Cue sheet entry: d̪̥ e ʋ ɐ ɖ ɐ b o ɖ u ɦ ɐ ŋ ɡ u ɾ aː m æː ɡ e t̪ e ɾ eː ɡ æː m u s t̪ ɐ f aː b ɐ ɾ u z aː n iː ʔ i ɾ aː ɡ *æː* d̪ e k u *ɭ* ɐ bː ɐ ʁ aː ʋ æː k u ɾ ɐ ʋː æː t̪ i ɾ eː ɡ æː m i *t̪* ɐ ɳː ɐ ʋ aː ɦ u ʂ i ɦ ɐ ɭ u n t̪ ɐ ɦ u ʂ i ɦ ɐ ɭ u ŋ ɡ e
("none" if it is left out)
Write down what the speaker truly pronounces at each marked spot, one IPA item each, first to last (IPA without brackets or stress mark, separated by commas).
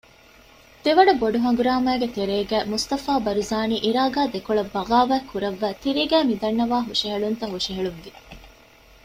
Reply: aː, ɭ, d̪